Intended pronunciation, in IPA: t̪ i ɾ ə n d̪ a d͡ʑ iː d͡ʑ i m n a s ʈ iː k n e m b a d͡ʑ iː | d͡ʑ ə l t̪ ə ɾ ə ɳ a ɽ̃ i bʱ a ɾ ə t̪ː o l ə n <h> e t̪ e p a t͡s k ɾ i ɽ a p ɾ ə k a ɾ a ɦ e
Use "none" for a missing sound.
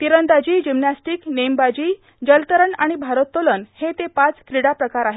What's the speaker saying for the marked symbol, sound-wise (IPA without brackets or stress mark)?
h